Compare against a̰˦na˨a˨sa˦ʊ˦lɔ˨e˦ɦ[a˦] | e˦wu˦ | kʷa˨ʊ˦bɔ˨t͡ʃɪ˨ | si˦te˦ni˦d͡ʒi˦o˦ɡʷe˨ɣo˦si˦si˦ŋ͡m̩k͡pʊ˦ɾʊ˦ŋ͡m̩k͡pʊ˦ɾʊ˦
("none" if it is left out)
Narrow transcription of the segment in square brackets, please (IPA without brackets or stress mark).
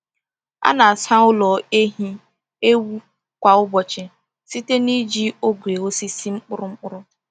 i˦